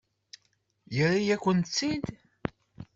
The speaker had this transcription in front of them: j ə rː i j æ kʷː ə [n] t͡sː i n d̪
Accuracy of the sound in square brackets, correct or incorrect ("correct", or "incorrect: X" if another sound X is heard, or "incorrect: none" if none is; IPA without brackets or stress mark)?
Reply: correct